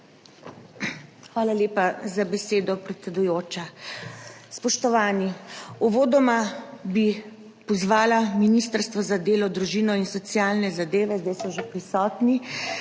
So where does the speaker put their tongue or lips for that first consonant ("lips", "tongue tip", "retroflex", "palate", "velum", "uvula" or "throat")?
velum